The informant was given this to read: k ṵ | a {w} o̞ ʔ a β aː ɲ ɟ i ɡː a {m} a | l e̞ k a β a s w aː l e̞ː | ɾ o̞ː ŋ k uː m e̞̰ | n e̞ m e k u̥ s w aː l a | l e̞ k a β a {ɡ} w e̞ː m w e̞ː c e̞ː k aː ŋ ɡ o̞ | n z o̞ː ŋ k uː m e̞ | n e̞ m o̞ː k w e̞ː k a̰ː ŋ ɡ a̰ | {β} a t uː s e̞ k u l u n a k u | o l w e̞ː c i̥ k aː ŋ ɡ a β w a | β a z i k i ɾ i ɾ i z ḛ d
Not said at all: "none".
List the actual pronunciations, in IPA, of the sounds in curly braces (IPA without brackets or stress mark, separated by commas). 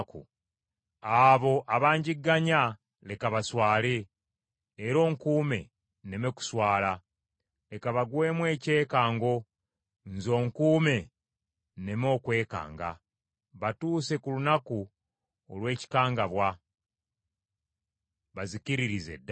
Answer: β, ɲ, ɡ, β